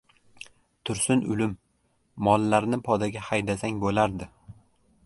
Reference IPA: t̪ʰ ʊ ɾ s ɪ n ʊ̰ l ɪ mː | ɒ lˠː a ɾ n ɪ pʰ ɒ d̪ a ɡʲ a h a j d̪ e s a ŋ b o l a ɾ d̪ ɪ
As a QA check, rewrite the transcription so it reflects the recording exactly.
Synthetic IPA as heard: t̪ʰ ʊ ɾ s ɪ n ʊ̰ l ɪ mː | ɒ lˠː a ɾ n ɪ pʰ ɒ d̪ a ɡʲ a h a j d̪ a s a ŋ b o l a ɾ d̪ ɪ